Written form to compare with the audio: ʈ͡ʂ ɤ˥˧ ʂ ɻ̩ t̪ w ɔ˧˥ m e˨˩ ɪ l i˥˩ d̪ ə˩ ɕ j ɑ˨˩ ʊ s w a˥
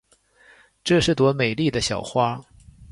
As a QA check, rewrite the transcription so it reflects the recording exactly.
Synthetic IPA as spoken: ʈ͡ʂ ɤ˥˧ ʂ ɻ̩ t̪ w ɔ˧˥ m e˨˩ ɪ l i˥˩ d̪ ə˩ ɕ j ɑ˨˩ ʊ x w a˥

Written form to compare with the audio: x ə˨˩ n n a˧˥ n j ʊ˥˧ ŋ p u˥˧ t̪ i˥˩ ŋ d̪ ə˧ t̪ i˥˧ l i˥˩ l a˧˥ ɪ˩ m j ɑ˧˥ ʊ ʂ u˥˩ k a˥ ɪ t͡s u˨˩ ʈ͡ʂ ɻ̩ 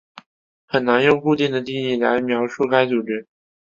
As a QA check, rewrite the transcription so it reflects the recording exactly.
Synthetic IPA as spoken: x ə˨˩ n n a˧˥ n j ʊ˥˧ ŋ k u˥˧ t̪ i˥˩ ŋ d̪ ə˩ t̪ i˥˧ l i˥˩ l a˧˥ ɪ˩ m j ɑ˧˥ ʊ ʂ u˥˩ k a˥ ɪ t͡s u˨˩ ʈ͡ʂ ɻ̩

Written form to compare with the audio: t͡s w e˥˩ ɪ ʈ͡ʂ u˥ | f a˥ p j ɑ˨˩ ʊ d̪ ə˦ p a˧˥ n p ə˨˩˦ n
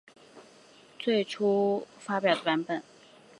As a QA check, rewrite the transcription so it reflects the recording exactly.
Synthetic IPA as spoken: t͡s w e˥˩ ɪ ʈ͡ʂʰ u˥ | f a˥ p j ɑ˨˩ ʊ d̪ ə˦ p a˧˥ n p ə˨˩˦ n

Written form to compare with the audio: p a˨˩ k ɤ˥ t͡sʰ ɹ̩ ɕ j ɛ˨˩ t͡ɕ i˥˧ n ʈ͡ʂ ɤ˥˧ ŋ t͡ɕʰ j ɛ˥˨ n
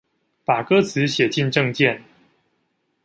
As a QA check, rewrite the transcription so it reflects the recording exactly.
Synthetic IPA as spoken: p a˨˩ k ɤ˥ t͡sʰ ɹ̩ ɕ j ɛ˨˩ t͡ɕ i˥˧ n ʈ͡ʂ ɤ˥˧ ŋ t͡ɕ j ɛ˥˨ n

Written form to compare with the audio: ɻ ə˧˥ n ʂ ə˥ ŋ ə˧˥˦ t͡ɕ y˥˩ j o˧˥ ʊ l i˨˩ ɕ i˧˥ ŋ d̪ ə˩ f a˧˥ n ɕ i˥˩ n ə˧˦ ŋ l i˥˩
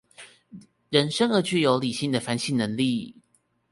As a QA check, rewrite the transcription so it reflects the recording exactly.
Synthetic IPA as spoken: ɻ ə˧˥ n ʂ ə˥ ŋ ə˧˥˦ t͡ɕ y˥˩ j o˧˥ ʊ l i˨˩ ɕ i˥˩ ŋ d̪ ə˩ f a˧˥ n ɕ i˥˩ n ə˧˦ ŋ l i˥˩

